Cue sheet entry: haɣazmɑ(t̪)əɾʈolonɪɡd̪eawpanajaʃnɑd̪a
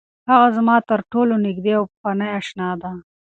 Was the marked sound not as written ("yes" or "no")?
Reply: no